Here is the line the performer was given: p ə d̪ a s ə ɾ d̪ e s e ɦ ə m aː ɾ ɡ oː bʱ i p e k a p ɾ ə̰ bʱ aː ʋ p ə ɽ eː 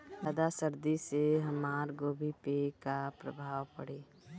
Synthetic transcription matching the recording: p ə d̪ a s ə ɾ d̪ i s e ɦ ə m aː ɾ ɡ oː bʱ i p e k a p ɾ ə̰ bʱ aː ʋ p ə ɽ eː